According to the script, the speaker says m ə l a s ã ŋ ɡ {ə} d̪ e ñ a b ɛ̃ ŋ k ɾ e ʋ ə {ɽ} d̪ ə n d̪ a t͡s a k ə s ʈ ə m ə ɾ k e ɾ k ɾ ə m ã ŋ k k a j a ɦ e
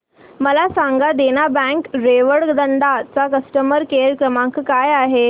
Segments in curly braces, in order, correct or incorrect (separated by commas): incorrect, correct